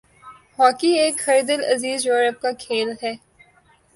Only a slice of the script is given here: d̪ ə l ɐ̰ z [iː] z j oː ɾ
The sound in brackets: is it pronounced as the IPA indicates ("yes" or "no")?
yes